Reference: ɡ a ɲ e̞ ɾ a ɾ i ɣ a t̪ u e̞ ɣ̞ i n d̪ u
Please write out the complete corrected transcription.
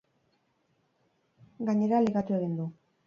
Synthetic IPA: ɡ a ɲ e̞ ɾ a l i ɣ a t̪ u e̞ ɣ̞ i n d̪ u